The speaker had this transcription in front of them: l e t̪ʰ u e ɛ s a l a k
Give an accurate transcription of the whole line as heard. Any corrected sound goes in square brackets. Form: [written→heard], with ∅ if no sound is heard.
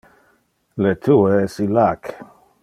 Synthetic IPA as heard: l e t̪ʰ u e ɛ s [a→i] l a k